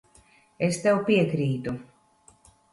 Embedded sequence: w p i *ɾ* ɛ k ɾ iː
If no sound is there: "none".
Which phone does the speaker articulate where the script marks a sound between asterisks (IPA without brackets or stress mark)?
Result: none